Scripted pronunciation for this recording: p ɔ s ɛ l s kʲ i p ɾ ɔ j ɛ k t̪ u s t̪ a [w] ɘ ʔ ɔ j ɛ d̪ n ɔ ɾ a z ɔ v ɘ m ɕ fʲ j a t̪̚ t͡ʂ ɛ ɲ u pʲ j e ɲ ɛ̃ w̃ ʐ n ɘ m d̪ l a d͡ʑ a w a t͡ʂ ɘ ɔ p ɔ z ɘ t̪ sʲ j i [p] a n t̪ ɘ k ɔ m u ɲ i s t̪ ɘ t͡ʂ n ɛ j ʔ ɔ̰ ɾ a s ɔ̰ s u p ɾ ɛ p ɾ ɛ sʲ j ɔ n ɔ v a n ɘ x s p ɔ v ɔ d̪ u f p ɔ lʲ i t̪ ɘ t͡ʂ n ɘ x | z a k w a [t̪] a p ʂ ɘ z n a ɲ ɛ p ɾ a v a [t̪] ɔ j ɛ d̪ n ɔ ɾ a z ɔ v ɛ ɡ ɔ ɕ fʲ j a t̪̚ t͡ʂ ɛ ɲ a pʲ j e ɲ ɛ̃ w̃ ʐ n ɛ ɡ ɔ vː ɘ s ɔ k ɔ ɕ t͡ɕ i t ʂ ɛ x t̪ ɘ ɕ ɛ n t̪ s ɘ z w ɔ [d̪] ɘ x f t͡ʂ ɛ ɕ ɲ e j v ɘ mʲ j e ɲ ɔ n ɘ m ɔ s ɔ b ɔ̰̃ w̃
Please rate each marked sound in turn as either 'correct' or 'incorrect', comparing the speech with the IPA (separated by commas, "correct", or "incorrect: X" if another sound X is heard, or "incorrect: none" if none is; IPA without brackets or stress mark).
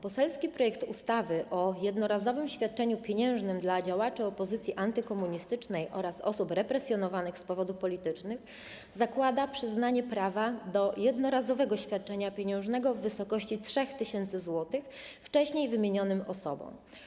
incorrect: v, incorrect: ʔ, incorrect: d̪, incorrect: d̪, incorrect: t̪